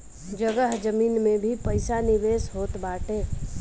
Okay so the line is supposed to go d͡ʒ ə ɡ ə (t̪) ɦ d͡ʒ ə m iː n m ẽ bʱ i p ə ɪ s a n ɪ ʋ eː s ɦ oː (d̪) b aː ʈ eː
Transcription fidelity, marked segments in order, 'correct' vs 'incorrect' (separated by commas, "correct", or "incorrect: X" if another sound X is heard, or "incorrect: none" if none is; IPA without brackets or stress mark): incorrect: none, incorrect: t̪